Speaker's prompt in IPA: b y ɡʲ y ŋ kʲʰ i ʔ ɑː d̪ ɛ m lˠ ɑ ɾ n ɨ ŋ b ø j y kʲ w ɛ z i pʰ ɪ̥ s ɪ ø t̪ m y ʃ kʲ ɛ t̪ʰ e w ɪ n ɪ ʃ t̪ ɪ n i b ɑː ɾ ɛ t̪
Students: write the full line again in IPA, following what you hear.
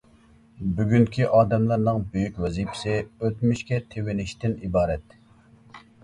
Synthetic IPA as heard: b y ɡʲ y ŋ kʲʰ i ʔ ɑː d̪ ɛ m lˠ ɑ ɾ n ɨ ŋ b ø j y kʲ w ɛ z i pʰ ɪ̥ s ɪ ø t̪ m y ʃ kʲ ɛ t̪ʰ e w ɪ n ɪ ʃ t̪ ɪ n i b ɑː ɾ ɛ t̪